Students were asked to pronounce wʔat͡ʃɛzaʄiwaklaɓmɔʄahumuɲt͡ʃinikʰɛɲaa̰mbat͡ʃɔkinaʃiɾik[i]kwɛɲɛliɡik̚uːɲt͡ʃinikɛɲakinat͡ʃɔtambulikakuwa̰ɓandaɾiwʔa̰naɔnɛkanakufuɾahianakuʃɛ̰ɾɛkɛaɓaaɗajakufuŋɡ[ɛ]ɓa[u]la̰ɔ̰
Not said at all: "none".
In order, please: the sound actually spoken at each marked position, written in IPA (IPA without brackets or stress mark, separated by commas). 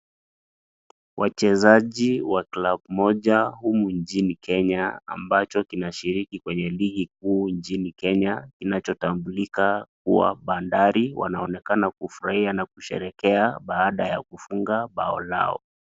i, a, ɔ